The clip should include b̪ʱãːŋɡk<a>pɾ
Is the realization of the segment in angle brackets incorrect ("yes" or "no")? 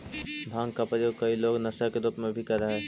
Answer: no